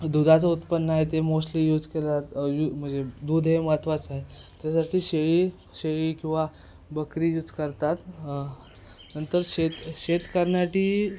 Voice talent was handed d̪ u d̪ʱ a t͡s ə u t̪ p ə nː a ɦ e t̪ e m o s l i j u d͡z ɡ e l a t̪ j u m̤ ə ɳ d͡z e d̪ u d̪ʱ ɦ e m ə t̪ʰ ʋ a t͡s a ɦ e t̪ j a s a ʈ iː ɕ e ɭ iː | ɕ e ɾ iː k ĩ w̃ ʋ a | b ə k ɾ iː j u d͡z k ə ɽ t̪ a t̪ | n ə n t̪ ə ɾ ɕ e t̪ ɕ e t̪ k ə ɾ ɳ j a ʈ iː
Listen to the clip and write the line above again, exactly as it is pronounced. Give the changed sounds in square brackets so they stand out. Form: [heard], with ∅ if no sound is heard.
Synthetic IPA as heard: d̪ u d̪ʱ a t͡s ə u t̪ p ə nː a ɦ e t̪ e m o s l i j u d͡z [k] e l a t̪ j u m̤ ə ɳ d͡z e d̪ u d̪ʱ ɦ e m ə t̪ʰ ʋ a t͡s a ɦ e t̪ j a s a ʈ iː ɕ e ɭ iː | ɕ e [ɭ] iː k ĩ w̃ ʋ a | b ə k ɾ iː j u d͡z k ə [ɾ] t̪ a t̪ | n ə n t̪ ə ɾ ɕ e t̪ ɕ e t̪ k ə ɾ ɳ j a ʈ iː

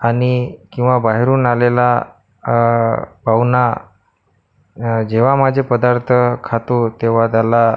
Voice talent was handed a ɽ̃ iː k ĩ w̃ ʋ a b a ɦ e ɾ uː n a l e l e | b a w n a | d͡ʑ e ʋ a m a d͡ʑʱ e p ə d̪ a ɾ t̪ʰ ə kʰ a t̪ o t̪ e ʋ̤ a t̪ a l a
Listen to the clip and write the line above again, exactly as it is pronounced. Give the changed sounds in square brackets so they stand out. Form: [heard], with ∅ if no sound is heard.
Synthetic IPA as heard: a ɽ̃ [i] k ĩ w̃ ʋ a b a ɦ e ɾ uː n a l e l [a] | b a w n a | d͡ʑ e ʋ a m a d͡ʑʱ e p ə d̪ a ɾ t̪ʰ ə kʰ a t̪ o t̪ e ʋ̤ a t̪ a l a

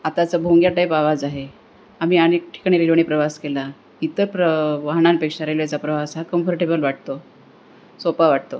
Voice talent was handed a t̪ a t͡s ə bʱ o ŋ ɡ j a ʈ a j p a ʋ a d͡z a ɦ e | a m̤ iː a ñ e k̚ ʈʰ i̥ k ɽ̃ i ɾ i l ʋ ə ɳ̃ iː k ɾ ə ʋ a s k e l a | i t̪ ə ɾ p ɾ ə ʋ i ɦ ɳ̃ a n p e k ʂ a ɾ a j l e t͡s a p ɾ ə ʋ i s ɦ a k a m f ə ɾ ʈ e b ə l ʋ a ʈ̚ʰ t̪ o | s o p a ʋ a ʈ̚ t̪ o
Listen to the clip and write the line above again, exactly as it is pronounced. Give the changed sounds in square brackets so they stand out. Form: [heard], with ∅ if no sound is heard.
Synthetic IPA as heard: a t̪ a t͡s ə bʱ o ŋ ɡ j a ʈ a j p a ʋ a d͡z a ɦ e | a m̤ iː a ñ e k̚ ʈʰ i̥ k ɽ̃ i ɾ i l ʋ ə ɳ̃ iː [p] ɾ ə ʋ a s k e l a | i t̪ ə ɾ p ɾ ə ʋ [a] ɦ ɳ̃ a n p e k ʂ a ɾ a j l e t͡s a p ɾ ə ʋ [a] s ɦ a k [ə] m f ə ɾ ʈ e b ə l ʋ a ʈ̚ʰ t̪ o | s o p a ʋ a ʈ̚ t̪ o

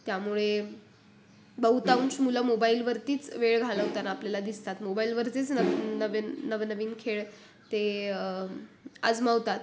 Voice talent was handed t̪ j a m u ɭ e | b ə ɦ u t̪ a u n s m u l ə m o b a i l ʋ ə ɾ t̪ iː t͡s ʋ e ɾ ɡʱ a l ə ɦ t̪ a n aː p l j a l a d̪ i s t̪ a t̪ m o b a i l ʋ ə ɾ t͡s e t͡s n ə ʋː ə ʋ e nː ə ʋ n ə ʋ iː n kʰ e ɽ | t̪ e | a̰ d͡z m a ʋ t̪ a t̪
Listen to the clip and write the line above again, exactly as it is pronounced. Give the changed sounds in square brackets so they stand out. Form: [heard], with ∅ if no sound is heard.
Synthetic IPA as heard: t̪ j a m u ɭ e | b ə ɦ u t̪ a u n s m u l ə m o b a i l ʋ ə ɾ t̪ iː t͡s ʋ e [ɭ] ɡʱ a l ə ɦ t̪ a n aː p l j a l a d̪ i s t̪ a t̪ m o b a i l ʋ ə ɾ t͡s e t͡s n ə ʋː ə ʋ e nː ə ʋ n ə ʋ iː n kʰ e [ɭ] | t̪ e | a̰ d͡z m a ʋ t̪ a t̪

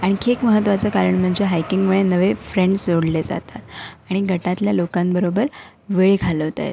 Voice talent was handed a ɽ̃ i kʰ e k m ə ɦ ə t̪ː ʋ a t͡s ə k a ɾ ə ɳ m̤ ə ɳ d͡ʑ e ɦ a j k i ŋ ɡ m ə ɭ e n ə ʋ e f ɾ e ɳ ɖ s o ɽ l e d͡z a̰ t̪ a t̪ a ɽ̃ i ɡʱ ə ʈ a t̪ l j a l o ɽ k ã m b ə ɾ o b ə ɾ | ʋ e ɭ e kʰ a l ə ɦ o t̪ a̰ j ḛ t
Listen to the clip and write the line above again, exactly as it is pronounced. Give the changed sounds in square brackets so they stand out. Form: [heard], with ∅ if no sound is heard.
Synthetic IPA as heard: a ɽ̃ i kʰ e k m ə ɦ ə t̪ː ʋ a t͡s ə k a ɾ ə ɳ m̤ ə ɳ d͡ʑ e ɦ a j k i ŋ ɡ m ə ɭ e n ə ʋ e f ɾ e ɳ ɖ s o ɽ l e d͡z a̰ t̪ a t̪ a ɽ̃ i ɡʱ ə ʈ a t̪ l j a l o [∅] k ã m b ə ɾ o b ə ɾ | ʋ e ɭ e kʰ a l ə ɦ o t̪ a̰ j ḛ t

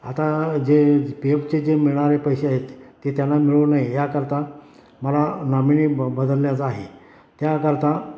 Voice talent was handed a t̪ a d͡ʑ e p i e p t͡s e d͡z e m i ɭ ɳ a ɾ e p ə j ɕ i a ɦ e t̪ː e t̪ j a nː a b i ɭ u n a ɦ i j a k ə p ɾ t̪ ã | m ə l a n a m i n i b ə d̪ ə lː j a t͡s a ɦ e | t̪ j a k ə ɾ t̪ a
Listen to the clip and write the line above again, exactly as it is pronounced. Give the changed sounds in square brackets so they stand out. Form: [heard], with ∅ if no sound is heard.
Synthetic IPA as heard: a t̪ a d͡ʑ e p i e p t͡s e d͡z e m i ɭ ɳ a ɾ e p ə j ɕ [e] a ɦ e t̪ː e t̪ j a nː a [m] i ɭ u n a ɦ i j a k ə [∅] ɾ t̪ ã | m ə l a n a m i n i b ə d̪ ə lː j a t͡s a ɦ e | t̪ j a k ə ɾ t̪ a

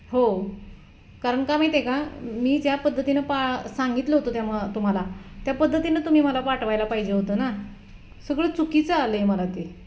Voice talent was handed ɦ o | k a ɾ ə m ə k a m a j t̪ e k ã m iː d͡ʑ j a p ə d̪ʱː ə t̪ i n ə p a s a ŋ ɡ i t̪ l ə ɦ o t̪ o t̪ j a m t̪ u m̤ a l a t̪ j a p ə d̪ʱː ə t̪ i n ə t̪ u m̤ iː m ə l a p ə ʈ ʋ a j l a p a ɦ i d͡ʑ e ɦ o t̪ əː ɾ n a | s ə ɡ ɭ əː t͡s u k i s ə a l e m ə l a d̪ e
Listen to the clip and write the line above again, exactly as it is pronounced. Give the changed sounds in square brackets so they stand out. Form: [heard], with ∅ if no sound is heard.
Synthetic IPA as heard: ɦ o | k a ɾ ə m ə k a m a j t̪ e k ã m iː d͡ʑ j a p ə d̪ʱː ə t̪ i n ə p a s a ŋ ɡ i t̪ l ə ɦ o t̪ o t̪ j a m t̪ u m̤ a l a t̪ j a p ə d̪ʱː ə t̪ i n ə t̪ u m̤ iː m ə l a p [a] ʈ ʋ a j l a p a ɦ i d͡ʑ e ɦ o t̪ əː [∅] n a | s ə ɡ ɭ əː t͡s u k i [t͡s] ə a l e m ə l a [t̪] e

